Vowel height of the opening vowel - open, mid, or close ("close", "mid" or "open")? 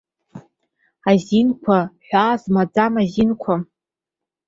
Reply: open